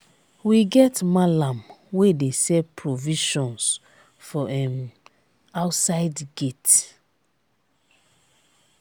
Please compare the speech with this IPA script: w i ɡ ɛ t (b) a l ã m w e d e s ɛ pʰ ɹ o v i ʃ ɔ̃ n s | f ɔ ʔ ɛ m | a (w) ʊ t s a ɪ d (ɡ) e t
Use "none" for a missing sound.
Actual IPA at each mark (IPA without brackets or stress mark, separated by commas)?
m, none, ɡ